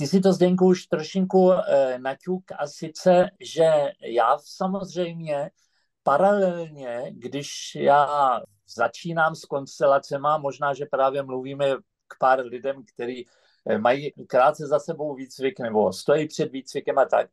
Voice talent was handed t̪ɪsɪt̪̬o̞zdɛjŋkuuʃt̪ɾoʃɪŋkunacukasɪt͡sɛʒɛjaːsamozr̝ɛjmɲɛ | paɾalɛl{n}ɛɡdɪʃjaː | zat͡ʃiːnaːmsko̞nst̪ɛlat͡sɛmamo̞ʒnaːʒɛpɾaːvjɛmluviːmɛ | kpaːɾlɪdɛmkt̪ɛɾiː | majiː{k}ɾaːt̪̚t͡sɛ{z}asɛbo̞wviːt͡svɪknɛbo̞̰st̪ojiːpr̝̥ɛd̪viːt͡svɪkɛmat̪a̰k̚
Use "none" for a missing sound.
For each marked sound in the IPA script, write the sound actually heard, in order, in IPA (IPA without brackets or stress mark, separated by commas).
ɲ, k, z